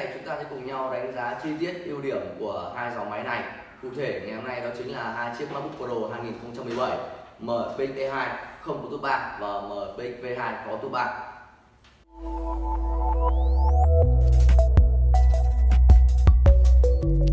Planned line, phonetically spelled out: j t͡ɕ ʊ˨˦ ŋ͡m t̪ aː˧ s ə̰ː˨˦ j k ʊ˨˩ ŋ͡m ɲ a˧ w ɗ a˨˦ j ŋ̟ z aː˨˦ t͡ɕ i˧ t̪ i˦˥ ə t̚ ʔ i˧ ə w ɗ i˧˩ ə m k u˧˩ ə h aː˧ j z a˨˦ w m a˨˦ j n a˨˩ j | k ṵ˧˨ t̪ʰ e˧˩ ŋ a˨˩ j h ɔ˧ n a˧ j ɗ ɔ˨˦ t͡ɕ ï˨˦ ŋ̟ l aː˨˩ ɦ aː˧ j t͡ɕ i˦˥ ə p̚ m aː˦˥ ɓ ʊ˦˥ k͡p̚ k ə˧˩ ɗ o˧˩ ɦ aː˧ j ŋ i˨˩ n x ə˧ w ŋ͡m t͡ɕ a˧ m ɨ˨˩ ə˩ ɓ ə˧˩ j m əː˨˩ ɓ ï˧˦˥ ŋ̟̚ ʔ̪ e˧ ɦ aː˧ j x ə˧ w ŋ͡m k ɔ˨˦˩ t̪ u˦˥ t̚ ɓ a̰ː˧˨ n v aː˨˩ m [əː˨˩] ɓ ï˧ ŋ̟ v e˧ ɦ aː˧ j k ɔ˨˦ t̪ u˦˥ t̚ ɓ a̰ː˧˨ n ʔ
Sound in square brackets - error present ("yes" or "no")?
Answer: no